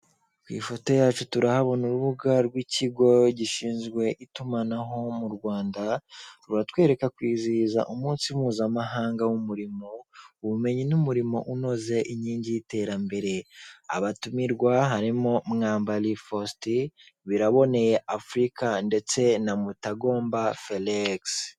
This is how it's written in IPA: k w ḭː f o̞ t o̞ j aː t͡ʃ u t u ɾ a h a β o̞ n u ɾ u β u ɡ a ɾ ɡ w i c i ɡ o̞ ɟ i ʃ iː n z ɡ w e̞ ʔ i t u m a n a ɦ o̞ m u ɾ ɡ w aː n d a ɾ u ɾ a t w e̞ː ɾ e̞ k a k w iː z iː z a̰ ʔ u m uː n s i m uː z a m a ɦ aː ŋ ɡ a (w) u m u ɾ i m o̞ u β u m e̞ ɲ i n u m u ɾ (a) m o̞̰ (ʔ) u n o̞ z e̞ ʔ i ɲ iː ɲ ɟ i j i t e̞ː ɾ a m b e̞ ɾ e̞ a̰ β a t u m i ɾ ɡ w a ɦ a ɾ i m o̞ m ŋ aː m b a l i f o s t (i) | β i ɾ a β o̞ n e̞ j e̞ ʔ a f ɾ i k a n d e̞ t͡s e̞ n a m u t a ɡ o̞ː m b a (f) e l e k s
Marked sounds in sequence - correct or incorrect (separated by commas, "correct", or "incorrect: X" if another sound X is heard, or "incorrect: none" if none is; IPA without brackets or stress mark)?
correct, incorrect: i, correct, correct, correct